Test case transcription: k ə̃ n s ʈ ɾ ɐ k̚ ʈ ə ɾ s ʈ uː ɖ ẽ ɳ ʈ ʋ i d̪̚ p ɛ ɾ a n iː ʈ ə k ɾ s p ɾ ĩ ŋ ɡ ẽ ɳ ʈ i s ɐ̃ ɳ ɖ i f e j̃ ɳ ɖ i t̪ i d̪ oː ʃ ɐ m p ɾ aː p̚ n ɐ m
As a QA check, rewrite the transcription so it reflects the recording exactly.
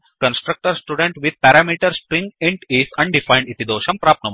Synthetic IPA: k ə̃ n s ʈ ɾ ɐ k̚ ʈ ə ɾ s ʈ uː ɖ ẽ ɳ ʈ ʋ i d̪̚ p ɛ ɾ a m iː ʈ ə ɾ s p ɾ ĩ ŋ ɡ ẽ ɳ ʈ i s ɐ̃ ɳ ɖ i f a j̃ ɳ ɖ i t̪ i d̪ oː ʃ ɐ m p ɾ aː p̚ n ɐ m